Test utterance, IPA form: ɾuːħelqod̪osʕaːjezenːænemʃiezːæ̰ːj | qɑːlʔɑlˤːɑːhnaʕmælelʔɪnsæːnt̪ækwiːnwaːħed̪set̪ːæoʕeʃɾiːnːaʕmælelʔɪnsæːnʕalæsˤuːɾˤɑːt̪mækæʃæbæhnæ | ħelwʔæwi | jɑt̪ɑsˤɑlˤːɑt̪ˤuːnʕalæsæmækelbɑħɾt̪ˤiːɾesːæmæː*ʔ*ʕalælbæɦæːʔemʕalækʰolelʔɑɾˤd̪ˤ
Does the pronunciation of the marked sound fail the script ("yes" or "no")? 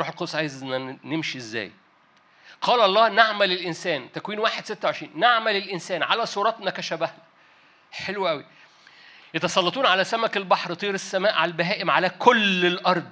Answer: no